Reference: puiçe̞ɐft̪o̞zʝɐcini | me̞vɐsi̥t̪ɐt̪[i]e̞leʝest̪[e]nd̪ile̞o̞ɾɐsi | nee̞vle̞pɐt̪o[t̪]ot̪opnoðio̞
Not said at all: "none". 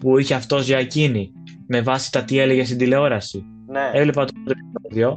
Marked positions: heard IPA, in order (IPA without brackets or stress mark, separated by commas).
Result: i, i, none